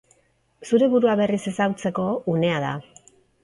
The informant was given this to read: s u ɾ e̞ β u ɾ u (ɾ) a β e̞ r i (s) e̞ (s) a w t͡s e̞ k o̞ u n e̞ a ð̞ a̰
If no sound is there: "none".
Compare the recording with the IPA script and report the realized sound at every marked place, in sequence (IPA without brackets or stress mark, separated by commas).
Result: none, s, s